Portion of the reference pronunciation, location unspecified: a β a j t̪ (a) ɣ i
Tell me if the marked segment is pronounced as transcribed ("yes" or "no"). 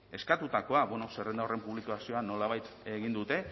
no